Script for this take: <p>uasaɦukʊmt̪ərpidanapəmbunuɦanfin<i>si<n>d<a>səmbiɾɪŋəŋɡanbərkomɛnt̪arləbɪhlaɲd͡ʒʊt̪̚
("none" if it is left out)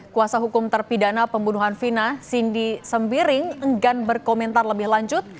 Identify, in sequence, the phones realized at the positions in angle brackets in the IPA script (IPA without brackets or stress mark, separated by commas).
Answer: k, a, n, i